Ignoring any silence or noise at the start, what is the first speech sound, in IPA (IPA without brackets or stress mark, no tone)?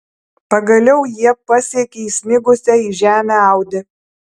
p